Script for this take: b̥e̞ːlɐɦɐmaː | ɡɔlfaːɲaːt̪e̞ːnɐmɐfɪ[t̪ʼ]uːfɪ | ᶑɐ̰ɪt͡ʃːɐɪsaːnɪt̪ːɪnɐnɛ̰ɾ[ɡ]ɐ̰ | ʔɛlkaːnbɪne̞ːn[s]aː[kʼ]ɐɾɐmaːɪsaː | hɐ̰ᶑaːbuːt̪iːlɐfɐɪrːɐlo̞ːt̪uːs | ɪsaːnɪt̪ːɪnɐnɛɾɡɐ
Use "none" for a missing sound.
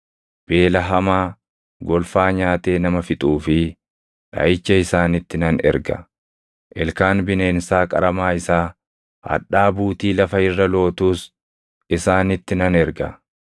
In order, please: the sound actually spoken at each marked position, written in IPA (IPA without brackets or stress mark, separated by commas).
t̪ʼ, ɡ, s, kʼ